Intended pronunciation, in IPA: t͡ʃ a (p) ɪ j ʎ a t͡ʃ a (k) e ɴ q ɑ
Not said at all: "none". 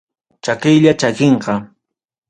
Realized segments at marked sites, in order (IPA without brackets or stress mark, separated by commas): k, k